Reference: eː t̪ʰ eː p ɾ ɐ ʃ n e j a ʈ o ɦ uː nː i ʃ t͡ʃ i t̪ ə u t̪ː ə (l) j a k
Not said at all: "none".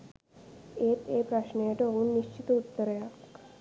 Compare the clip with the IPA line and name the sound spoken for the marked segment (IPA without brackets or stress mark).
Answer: ɾ